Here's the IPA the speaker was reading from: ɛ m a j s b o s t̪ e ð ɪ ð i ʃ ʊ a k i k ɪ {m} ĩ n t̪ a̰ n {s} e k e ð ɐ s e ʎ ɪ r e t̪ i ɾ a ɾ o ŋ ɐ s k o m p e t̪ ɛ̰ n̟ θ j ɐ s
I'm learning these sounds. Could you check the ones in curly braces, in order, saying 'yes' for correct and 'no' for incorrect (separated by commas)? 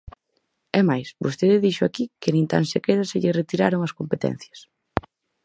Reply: no, yes